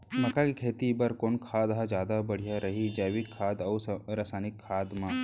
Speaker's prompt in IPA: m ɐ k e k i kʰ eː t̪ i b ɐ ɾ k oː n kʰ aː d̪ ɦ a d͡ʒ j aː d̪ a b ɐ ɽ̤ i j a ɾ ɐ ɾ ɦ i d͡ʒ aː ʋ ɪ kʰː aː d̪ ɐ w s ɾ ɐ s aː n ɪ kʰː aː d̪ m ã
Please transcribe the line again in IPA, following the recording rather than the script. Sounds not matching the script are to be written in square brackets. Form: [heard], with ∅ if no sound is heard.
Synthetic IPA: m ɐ k [a] k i kʰ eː t̪ i b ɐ ɾ k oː n kʰ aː d̪ ɦ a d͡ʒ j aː d̪ a b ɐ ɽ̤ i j a ɾ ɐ [∅] ɦ i d͡ʒ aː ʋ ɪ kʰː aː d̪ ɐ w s ɾ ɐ s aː n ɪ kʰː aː d̪ m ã